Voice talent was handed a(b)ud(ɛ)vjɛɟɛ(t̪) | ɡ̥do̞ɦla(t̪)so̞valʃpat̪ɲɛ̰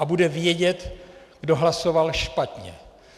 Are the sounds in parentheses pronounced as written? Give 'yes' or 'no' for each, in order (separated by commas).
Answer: yes, yes, yes, no